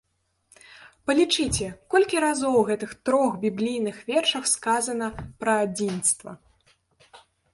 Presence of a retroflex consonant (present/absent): present